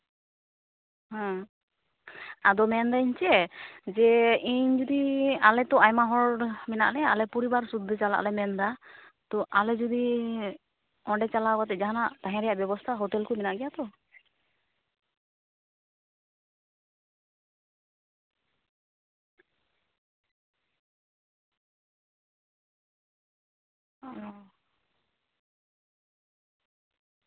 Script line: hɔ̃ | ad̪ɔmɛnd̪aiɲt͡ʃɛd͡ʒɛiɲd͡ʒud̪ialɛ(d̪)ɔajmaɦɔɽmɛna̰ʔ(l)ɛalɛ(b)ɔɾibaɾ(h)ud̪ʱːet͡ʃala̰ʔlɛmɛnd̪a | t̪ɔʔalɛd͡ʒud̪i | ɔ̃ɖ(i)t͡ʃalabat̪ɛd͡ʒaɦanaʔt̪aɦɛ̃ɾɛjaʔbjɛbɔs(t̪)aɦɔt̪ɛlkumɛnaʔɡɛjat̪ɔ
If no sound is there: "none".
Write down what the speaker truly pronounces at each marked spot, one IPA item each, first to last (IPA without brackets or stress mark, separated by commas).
t̪, l, p, s, ɛ, t̪ʰ